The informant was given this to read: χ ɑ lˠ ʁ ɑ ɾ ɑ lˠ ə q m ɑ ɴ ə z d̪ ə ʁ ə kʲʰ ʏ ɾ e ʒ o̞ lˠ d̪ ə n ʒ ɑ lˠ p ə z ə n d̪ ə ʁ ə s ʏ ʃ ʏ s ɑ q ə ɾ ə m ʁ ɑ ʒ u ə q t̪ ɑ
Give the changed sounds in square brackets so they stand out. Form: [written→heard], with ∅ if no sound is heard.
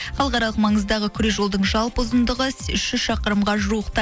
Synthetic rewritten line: χ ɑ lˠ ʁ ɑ ɾ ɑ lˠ ə q m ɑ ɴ ə z d̪ [ə→ɑ] ʁ ə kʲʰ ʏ ɾ e ʒ o̞ lˠ d̪ ə [n→ɴ] ʒ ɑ lˠ p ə z ə n d̪ ə ʁ ə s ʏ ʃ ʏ [s→ʃ] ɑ q ə ɾ ə m ʁ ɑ ʒ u ə q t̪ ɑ

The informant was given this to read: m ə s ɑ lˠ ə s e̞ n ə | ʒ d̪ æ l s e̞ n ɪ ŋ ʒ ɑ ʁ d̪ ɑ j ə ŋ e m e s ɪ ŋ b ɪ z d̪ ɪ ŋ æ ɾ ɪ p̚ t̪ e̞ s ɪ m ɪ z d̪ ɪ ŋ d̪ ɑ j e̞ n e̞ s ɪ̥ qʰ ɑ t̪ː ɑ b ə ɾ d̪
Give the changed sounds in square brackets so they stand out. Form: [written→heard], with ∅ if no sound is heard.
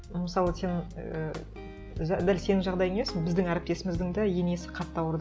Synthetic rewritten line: m ə s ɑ lˠ ə s e̞ n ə | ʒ d̪ æ l s e̞ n ɪ ŋ ʒ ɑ ʁ d̪ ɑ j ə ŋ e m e s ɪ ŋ b ɪ z d̪ ɪ ŋ æ ɾ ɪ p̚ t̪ e̞ s ɪ m ɪ z d̪ ɪ ŋ d̪ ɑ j e̞ n e̞ s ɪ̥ qʰ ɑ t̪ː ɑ [b→w] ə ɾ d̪

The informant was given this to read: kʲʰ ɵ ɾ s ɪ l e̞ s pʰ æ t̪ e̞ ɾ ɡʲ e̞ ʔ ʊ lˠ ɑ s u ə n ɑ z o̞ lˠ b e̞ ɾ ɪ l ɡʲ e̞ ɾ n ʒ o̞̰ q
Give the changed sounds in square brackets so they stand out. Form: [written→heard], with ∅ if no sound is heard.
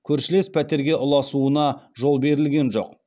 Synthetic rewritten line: kʲʰ ɵ ɾ [s→ʃ] ɪ l e̞ s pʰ æ t̪ e̞ ɾ ɡʲ e̞ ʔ ʊ lˠ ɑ s u ə n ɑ [z→ʒ] o̞ lˠ b e̞ ɾ ɪ l ɡʲ e̞ [ɾ→∅] n ʒ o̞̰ q

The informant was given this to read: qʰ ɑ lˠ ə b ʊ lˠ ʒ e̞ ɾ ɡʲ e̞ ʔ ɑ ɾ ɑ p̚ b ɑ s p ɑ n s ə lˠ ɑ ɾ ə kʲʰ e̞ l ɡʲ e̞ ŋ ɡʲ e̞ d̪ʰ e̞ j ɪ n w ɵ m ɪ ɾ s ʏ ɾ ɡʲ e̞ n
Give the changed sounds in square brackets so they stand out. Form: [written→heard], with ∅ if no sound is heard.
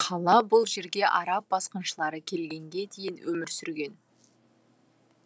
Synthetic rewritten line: qʰ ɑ lˠ [ə→ɑ] b ʊ lˠ ʒ e̞ ɾ ɡʲ e̞ ʔ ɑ ɾ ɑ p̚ b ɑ s [p→q] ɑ n [s→ʃ] ə lˠ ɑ ɾ ə kʲʰ e̞ l ɡʲ e̞ ŋ ɡʲ e̞ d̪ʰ e̞ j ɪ n w ɵ m ɪ ɾ s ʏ ɾ ɡʲ e̞ n

